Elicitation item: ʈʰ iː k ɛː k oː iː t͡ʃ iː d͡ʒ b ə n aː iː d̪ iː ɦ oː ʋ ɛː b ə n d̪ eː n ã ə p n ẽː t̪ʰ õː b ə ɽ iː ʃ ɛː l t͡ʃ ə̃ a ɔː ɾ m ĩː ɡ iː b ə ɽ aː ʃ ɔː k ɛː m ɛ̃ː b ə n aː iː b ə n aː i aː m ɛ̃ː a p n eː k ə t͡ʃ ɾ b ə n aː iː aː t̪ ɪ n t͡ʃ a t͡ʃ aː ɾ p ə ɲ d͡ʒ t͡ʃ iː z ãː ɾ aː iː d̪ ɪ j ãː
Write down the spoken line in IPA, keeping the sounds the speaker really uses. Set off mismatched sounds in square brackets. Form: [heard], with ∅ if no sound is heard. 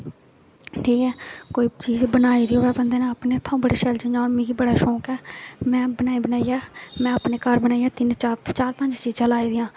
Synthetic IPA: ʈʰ iː k ɛː k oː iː t͡ʃ iː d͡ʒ b ə n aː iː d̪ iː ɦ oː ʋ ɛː b ə n d̪ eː n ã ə p n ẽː t̪ʰ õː b ə ɽ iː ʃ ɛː l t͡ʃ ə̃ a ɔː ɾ m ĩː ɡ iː b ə ɽ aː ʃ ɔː k ɛː m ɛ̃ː b ə n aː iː b ə n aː i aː m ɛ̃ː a p n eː k ə [∅] ɾ b ə n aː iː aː t̪ ɪ n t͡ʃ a t͡ʃ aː ɾ p ə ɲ d͡ʒ t͡ʃ iː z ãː [l] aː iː d̪ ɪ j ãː